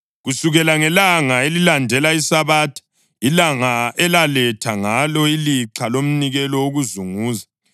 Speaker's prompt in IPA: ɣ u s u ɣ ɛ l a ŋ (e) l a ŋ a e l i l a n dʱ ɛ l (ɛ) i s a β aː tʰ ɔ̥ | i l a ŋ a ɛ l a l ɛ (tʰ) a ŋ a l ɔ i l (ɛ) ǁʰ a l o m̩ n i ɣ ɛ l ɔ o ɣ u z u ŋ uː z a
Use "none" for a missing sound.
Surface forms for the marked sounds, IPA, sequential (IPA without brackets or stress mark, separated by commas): ɛ, a, tʰ, i